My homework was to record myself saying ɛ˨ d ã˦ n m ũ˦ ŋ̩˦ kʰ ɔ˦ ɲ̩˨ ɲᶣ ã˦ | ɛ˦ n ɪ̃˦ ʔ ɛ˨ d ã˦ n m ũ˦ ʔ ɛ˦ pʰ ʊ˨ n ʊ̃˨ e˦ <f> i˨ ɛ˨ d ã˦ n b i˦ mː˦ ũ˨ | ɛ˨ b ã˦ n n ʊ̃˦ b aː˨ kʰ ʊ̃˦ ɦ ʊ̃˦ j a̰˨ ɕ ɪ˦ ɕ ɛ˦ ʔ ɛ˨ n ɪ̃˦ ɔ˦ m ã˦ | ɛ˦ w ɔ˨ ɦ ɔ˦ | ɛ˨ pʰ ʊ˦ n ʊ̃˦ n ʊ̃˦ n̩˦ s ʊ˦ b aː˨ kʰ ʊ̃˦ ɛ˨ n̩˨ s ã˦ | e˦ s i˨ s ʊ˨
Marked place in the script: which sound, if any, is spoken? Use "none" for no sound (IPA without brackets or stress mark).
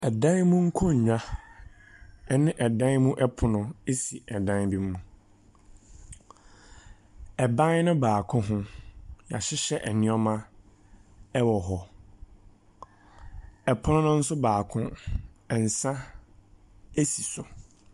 s